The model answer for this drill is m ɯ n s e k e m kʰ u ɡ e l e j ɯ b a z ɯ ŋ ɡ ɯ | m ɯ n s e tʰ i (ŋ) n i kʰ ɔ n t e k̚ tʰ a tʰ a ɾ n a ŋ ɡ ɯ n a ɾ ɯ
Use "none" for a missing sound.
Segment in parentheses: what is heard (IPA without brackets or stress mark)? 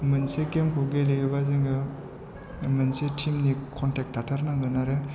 m